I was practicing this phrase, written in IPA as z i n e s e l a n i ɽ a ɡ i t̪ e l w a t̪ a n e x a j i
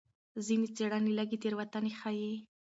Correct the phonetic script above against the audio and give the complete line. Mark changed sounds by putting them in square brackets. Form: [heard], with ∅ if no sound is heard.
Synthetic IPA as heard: z i n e [t͡s] e [ɽ] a n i [l] a ɡ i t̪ e [ɾ] w a t̪ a n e x a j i